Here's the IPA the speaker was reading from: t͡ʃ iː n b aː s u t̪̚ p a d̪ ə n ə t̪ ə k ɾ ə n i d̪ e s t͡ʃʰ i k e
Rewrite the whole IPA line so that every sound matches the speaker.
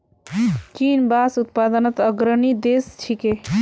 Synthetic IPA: t͡ʃ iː n b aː s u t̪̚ p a d̪ ə n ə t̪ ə ɡ ɾ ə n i d̪ e s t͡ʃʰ i k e